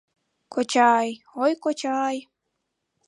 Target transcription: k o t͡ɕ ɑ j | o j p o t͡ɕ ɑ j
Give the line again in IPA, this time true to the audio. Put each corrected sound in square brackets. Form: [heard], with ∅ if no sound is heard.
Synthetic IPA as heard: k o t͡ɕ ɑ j | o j [k] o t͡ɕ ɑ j

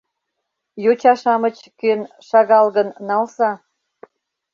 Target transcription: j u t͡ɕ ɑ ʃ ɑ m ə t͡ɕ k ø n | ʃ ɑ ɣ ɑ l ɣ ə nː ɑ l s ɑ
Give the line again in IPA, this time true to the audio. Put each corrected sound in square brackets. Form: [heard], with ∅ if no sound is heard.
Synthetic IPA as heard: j [o] t͡ɕ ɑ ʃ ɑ m ə t͡ɕ k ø n | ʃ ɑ ɣ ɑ l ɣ ə nː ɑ l s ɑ

